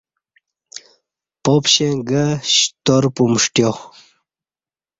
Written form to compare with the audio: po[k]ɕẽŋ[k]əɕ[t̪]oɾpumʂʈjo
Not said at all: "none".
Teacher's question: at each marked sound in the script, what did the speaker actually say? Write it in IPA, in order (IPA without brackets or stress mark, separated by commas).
p, ɡ, t̪